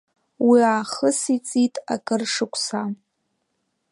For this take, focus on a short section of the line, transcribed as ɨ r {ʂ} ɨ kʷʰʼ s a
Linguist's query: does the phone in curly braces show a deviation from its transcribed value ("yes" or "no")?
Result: no